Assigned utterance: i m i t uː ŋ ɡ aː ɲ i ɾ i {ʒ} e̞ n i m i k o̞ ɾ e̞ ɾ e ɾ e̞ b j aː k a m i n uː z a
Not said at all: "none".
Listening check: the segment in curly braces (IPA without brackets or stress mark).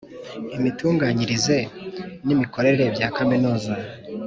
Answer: z